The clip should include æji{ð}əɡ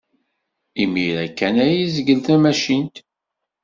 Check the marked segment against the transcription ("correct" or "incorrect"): incorrect